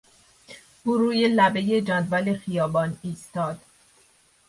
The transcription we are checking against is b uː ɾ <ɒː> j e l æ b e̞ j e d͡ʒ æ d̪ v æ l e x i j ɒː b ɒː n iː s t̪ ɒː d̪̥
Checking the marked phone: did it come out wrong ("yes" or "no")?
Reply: yes